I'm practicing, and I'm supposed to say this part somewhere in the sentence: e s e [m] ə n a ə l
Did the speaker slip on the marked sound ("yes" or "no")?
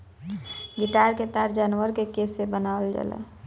yes